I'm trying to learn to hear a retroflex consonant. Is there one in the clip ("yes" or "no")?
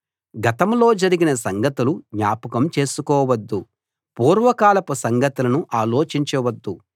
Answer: no